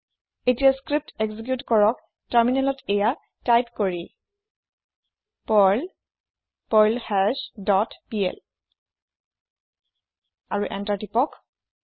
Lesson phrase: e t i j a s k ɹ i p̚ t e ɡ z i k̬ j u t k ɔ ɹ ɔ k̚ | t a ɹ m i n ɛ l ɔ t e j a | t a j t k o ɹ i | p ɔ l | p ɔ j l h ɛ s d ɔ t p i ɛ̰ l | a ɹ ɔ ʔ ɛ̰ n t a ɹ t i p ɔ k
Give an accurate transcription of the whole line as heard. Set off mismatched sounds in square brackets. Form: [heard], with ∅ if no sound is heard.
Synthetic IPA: e t i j a s k ɹ i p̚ t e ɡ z i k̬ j u t k ɔ ɹ ɔ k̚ | t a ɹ m i n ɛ l ɔ t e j a | t a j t k o ɹ i | p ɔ l | p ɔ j l h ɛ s d ɔ t p i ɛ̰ l | a ɹ [u] ʔ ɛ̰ n t a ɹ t i p ɔ k

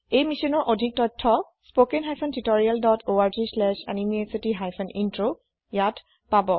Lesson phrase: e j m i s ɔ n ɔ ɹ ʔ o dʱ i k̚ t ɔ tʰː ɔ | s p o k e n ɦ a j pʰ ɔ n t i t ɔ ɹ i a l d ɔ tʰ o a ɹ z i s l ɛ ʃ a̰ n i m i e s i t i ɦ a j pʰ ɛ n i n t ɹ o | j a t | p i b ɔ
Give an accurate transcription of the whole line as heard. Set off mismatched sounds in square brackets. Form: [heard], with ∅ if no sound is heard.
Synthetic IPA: e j m i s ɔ n ɔ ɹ ʔ o dʱ i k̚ t ɔ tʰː ɔ | s p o k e n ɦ a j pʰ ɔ n t i t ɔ ɹ i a l d ɔ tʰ o a ɹ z i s l ɛ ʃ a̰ n i m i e s i t i ɦ a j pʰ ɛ n i n t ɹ o | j a t | p [a] b ɔ

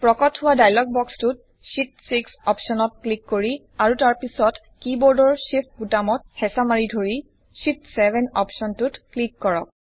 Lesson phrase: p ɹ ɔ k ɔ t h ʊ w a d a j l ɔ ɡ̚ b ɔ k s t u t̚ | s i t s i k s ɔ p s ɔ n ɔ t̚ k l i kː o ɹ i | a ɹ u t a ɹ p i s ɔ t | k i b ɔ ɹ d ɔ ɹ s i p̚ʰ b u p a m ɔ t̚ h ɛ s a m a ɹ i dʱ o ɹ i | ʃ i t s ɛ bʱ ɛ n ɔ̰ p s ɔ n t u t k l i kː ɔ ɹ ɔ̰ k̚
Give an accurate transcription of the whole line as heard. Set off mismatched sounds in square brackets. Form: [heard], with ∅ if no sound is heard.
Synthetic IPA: p ɹ ɔ k ɔ t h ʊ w a d a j l ɔ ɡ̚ b ɔ k s t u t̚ | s i t s i k s ɔ p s ɔ n ɔ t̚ k l i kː o ɹ i | a ɹ u t a ɹ p i s ɔ t | k i b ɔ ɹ d ɔ ɹ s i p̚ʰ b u [t] a m ɔ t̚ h ɛ s a m a ɹ i dʱ o ɹ i | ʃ i t s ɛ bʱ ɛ n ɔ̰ p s ɔ n t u t k l i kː ɔ ɹ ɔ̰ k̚

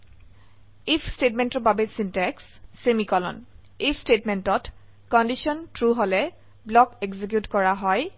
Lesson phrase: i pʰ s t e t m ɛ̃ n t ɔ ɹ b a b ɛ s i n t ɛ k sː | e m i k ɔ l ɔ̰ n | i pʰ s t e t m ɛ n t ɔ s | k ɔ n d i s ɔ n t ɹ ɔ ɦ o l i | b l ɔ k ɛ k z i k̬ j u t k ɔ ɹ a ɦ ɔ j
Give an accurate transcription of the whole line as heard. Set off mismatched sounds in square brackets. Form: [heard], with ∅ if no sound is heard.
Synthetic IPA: i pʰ s t e t m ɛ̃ n t ɔ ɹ b a b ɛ s i n t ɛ k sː | e m i k ɔ l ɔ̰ n | i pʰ s t e t m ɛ n t ɔ [t] | k ɔ n d i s ɔ n t ɹ [u] ɦ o l [ɛ] | b l ɔ k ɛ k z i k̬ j u t k ɔ ɹ a ɦ ɔ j

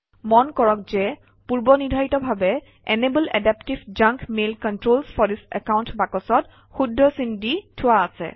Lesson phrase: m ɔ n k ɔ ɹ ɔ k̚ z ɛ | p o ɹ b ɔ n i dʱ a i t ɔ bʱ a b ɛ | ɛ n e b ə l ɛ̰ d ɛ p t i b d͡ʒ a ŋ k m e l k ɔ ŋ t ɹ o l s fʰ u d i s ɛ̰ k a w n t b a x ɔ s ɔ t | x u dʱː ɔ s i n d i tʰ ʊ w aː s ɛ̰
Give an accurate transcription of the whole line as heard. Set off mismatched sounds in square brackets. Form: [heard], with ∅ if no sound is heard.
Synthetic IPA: m ɔ n k ɔ ɹ ɔ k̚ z ɛ | p [u] ɹ b ɔ n i dʱ a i t ɔ bʱ a b ɛ | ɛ n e b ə l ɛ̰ d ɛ p t i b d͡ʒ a ŋ k m e l k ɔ [n] t ɹ o l s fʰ [ɔ] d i s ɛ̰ k a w n t b a [k] ɔ s ɔ t | x u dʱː ɔ s i n d i tʰ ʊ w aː s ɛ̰

